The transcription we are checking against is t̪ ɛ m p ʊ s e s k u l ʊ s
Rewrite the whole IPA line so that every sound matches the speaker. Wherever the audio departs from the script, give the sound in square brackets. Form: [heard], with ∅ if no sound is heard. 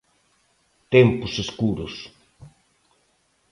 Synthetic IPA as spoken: t̪ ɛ m p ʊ s e s k u [ɾ] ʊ s